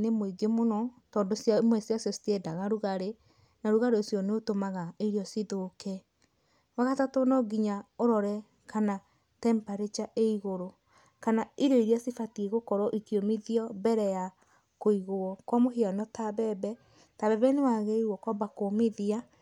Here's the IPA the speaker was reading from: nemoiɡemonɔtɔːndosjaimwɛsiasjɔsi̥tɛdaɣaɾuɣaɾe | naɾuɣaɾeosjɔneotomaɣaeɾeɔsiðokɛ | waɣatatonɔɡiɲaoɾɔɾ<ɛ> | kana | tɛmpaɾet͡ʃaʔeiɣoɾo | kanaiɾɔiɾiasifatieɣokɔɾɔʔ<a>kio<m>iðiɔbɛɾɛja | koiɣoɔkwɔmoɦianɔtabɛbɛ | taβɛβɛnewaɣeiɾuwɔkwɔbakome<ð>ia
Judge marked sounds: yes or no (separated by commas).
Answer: yes, no, yes, yes